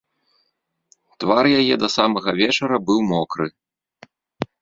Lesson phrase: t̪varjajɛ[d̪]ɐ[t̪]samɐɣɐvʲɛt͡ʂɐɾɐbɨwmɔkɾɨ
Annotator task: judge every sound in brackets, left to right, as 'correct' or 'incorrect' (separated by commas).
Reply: correct, incorrect